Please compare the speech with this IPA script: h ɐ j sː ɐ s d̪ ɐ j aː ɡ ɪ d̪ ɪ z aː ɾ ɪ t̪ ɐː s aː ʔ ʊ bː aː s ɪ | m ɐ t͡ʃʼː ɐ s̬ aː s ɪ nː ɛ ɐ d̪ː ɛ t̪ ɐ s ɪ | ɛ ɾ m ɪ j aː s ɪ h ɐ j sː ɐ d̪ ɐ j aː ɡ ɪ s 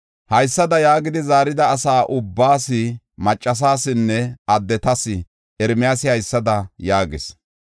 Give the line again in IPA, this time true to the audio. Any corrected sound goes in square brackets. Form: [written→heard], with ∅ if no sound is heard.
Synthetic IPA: h ɐ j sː ɐ [s→∅] d̪ ɐ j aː ɡ ɪ d̪ ɪ z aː ɾ ɪ [t̪→d̪] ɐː s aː ʔ ʊ bː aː s ɪ | m ɐ t͡ʃʼː ɐ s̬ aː s ɪ nː ɛ ɐ d̪ː ɛ t̪ ɐ s ɪ | ɛ ɾ m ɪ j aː s ɪ h ɐ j sː ɐ d̪ ɐ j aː ɡ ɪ s

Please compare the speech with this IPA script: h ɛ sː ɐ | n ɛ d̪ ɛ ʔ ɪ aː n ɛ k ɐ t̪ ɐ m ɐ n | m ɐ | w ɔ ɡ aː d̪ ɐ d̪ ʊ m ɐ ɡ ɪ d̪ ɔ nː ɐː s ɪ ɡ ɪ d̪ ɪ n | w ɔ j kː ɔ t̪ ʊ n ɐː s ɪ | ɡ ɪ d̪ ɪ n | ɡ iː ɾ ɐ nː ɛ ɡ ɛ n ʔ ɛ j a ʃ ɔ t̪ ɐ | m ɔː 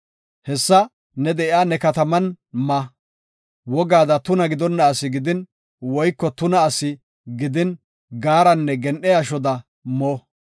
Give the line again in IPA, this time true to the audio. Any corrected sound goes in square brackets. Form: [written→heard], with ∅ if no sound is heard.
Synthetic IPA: h ɛ sː ɐ | n ɛ d̪ ɛ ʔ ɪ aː n ɛ k ɐ t̪ ɐ m ɐ n | m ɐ | w ɔ ɡ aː d̪ ɐ [d̪→t̪] ʊ [m→n] ɐ ɡ ɪ d̪ ɔ nː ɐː s ɪ ɡ ɪ d̪ ɪ n | w ɔ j kː ɔ t̪ ʊ n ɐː s ɪ | ɡ ɪ d̪ ɪ n | ɡ [iː→aː] ɾ ɐ nː ɛ ɡ ɛ n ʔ ɛ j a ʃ ɔ [t̪→d̪] ɐ | m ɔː

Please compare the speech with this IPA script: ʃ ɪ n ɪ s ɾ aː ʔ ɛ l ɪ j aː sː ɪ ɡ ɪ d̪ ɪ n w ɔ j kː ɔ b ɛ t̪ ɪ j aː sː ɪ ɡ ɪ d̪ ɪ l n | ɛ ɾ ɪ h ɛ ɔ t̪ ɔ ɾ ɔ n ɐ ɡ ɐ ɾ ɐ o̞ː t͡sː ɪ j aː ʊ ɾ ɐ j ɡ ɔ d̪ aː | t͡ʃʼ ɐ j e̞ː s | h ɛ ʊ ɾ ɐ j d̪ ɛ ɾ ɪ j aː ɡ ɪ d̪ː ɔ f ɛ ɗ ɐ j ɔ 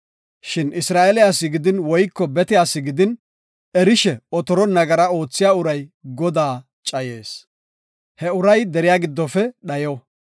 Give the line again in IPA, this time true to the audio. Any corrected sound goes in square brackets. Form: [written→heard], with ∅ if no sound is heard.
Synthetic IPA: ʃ ɪ n ɪ s ɾ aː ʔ ɛ l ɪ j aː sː ɪ ɡ ɪ d̪ ɪ n w ɔ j kː ɔ b ɛ t̪ ɪ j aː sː ɪ ɡ ɪ d̪ ɪ [l→∅] n | ɛ ɾ ɪ [h→ʃ] ɛ ɔ t̪ ɔ ɾ ɔ n ɐ ɡ ɐ ɾ ɐ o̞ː t͡sː ɪ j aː ʊ ɾ ɐ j ɡ ɔ d̪ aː | t͡ʃʼ ɐ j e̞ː s | h ɛ ʊ ɾ ɐ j d̪ ɛ ɾ ɪ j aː ɡ ɪ d̪ː ɔ f ɛ ɗ ɐ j ɔ

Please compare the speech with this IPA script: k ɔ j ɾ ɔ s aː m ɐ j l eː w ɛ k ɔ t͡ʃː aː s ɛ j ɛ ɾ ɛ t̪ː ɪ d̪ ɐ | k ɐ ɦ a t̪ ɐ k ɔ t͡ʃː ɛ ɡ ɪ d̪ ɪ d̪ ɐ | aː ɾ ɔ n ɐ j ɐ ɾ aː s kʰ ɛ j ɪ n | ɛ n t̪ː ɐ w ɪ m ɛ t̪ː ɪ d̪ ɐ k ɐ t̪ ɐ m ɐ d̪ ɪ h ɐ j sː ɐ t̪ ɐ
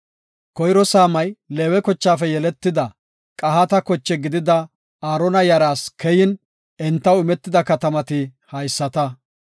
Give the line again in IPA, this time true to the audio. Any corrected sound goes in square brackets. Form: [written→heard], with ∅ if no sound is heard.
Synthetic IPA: k ɔ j ɾ ɔ s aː m ɐ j l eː w ɛ k ɔ t͡ʃː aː [s→f] ɛ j ɛ [ɾ→l] ɛ t̪ː ɪ d̪ ɐ | [k→kʼ] ɐ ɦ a t̪ ɐ k ɔ t͡ʃː ɛ ɡ ɪ d̪ ɪ d̪ ɐ | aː ɾ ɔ n ɐ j ɐ ɾ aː s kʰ ɛ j ɪ n | ɛ n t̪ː ɐ w ɪ m ɛ t̪ː ɪ d̪ ɐ k ɐ t̪ ɐ m ɐ [d̪→t̪] ɪ h ɐ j sː ɐ t̪ ɐ

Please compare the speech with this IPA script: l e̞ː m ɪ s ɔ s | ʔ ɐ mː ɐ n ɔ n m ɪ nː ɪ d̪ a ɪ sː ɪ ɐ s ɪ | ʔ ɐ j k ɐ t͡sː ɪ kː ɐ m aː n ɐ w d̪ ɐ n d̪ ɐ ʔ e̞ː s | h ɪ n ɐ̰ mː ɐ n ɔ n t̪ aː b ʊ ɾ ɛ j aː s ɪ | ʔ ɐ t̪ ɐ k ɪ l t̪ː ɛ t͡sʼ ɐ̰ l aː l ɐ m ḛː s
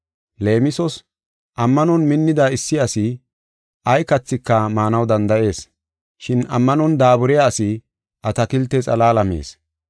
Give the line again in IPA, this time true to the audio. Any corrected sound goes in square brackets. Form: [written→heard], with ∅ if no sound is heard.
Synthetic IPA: l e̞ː m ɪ s ɔ s | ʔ ɐ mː ɐ n ɔ n m ɪ nː ɪ d̪ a ɪ sː ɪ ɐ s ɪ | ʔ ɐ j k ɐ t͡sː ɪ kː ɐ m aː n ɐ w d̪ ɐ n d̪ ɐ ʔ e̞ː s | [h→ʃ] ɪ n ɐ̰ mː ɐ n ɔ n [t̪→d̪] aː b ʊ ɾ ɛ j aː s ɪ | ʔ ɐ t̪ ɐ k ɪ l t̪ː ɛ t͡sʼ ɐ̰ l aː l ɐ m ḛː s

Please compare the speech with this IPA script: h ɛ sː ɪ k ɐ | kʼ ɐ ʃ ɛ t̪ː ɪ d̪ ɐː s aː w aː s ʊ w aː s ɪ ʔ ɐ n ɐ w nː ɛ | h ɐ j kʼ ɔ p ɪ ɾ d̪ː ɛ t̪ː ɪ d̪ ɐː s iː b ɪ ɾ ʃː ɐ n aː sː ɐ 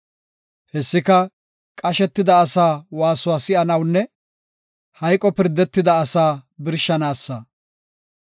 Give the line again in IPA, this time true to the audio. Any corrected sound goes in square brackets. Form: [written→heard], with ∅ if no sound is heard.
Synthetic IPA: h ɛ sː ɪ k ɐ | kʼ ɐ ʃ ɛ t̪ː ɪ d̪ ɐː s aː w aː s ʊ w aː s ɪ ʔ ɐ n ɐ w nː ɛ | h ɐ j kʼ ɔ p ɪ ɾ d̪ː ɛ t̪ː ɪ d̪ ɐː s [iː→aː] b ɪ ɾ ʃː ɐ n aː sː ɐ

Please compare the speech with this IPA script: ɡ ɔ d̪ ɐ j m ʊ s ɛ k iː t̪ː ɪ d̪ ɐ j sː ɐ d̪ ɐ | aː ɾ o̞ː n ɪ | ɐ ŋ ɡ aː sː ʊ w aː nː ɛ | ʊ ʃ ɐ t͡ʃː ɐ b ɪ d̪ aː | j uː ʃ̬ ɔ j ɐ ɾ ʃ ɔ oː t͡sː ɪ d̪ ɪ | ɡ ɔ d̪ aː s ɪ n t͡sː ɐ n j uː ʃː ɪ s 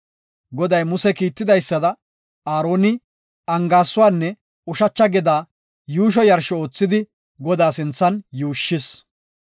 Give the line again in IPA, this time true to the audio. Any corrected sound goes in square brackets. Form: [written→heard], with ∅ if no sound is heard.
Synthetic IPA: ɡ ɔ d̪ ɐ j m ʊ s ɛ k iː t̪ː ɪ d̪ ɐ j sː ɐ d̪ ɐ | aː ɾ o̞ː n ɪ | ɐ ŋ ɡ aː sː ʊ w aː nː ɛ | ʊ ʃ ɐ t͡ʃː ɐ [b→ɡ] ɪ d̪ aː | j uː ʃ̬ ɔ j ɐ ɾ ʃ ɔ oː t͡sː ɪ d̪ ɪ | ɡ ɔ d̪ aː s ɪ n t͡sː ɐ n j uː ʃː ɪ s

